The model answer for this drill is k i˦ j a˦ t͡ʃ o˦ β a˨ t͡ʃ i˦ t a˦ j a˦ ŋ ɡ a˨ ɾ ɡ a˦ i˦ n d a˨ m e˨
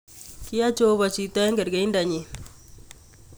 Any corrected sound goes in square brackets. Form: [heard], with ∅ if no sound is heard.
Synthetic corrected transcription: k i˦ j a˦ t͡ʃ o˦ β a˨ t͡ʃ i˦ t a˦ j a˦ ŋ ɡ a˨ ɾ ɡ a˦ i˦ n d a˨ [ɲ] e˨